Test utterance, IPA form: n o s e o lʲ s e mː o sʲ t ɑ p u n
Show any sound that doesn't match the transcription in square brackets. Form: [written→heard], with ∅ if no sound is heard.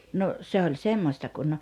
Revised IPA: n o s e o lʲ s e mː o sʲ t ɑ [p→k] u n

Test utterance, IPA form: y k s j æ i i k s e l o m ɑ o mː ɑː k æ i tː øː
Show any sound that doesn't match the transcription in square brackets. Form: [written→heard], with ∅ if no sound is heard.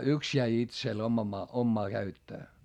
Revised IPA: y k s j æ i i [k→t] s e l o m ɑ o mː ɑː k æ [i→y] tː øː

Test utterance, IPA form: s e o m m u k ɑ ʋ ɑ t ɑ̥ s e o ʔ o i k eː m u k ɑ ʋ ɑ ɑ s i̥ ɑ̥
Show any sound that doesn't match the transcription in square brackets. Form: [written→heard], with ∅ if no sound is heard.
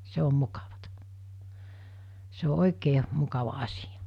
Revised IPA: s e o m m u k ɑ ʋ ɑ t ɑ̥ s e o ʔ o i k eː m u k ɑ ʋ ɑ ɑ s i̥ ɑ̥

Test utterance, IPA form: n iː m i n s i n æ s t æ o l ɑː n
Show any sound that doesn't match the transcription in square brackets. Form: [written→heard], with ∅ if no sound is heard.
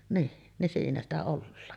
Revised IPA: n iː [m→n] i n s [i→iː] n æ s t æ o [l→lː] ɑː n

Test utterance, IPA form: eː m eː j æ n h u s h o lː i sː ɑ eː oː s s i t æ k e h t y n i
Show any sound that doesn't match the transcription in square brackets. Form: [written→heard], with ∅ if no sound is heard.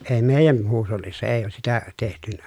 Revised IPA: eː m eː j æ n h [u→uː] s h o lː i sː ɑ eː oː s s i t æ [k→t] e h t y n [i→æ]

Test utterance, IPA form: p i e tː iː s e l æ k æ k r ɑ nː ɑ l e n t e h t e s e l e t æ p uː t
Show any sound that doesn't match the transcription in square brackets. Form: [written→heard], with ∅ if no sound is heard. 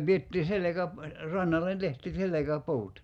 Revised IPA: p i e tː iː s e l [æ→e] k æ [k→p] r ɑ nː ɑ [l→lː] e n t e h t [e→i] s e l e [t→k] æ p uː t

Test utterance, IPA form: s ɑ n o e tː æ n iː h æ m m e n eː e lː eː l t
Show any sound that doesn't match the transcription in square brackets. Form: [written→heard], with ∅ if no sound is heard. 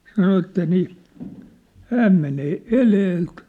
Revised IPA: s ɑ n o e tː æ n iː h [æ→æː] m m e n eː e [lː→l] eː l t

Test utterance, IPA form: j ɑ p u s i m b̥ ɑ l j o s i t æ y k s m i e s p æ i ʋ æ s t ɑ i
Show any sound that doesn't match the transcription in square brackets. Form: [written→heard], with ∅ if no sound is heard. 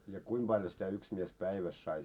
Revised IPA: j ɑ [p→k] u [s→∅] i m b̥ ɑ l j o s i t æ y k s m i e s p æ i ʋ æ s [t→s] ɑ i

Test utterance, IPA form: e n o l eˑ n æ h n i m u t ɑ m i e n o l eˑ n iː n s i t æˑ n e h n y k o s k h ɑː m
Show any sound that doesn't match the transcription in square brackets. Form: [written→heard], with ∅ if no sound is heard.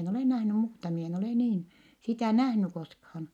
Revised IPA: e n o l eˑ n æ h n [i→y] m [u→uː] t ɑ m i e n o l eˑ n iː n s i t æˑ n [e→æ] h n y k o s k h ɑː [m→n]

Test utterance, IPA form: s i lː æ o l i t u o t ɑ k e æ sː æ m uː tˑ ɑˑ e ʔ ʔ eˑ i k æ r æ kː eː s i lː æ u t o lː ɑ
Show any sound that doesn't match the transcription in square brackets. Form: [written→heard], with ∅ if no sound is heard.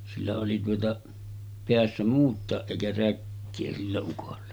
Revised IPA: s i lː æ o l i t u o t ɑ [k→p] e æ sː æ m uː tˑ ɑˑ e ʔ ʔ eˑ i k æ r æ kː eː s i lː æ u [t→k] o lː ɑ

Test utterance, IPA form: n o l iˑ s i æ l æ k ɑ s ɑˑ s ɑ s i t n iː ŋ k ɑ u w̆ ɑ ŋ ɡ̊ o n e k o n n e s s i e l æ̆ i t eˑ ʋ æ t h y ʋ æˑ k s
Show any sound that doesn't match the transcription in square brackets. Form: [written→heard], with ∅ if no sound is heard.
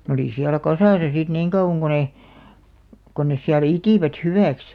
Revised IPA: n o l iˑ s i æ l æ k ɑ s ɑˑ s ɑ s i t n iː ŋ k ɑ u w̆ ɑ ŋ ɡ̊ o n e k o n n e s s i [e→æ] l æ̆ i t [eˑ→iˑ] ʋ æ t h y ʋ æˑ k s

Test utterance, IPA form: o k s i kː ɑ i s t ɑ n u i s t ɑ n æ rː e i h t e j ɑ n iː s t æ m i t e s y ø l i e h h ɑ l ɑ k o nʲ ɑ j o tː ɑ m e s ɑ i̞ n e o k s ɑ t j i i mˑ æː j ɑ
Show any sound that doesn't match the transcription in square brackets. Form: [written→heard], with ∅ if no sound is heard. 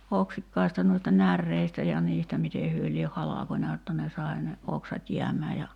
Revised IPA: o k s i kː ɑ i s t ɑ n u i s t ɑ n æ rː e i [h→s] t [e→æ] j ɑ n iː s t æ m i t e [s→h] y ø l i e h h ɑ l ɑ k o nʲ ɑ j o tː ɑ [m→n] e s ɑ i̞ n e o k s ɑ t j i [i→æ] mˑ æː j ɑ

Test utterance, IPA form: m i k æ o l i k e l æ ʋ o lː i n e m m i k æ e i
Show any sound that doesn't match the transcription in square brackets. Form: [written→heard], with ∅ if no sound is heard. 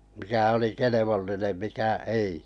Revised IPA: m i k æ o l i k e l [æ→e] ʋ o lː i n e m m i k æ e i

